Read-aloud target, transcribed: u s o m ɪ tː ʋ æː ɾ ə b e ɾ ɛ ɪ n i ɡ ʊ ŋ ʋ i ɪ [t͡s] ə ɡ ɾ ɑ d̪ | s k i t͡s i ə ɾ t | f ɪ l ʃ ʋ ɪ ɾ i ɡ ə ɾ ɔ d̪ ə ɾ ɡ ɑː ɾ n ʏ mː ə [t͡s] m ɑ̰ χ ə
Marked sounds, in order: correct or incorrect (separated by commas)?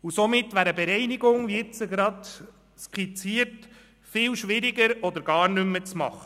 correct, correct